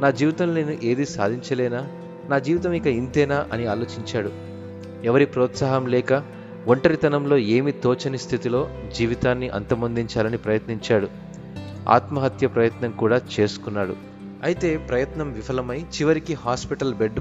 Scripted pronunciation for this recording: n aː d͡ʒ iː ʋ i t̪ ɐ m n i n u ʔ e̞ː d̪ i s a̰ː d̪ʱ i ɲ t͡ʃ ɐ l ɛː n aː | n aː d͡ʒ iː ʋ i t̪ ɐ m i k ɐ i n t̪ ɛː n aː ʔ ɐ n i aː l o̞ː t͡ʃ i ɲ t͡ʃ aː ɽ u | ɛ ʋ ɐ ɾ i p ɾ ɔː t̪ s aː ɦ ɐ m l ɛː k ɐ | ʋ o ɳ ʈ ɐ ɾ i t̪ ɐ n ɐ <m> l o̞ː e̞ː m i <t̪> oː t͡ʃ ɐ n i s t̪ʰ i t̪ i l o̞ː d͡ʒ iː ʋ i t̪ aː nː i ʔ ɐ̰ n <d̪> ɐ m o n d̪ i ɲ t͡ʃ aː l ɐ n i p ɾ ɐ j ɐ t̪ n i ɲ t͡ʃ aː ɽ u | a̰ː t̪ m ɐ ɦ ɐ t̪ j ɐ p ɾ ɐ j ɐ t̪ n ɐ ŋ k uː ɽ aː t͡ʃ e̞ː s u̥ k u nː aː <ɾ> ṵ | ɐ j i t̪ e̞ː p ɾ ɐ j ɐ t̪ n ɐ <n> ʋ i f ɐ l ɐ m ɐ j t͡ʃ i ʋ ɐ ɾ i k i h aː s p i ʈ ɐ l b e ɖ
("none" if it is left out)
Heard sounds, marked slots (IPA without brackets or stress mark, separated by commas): m, t̪, t̪, ɽ, m